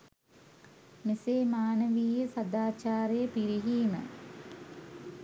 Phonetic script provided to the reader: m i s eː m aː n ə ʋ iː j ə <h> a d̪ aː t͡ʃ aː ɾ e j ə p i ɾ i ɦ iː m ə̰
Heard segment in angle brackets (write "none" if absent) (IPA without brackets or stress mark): s